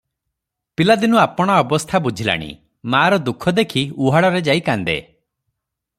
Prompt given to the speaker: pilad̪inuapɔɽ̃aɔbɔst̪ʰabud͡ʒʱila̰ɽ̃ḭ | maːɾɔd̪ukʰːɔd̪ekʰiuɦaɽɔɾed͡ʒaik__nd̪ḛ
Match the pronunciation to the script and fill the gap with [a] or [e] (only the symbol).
a